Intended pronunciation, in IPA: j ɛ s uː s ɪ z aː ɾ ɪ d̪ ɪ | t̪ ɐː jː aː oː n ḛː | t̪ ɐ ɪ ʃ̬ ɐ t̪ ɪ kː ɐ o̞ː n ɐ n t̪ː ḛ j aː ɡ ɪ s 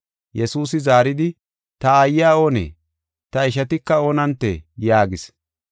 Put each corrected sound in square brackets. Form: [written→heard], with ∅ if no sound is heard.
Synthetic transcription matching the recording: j ɛ s uː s ɪ z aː ɾ ɪ d̪ ɪ | t̪ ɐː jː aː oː n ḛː | t̪ ɐ ɪ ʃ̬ ɐ t̪ ɪ kː ɐ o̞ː n ɐ n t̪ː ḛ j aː ɡ ɪ s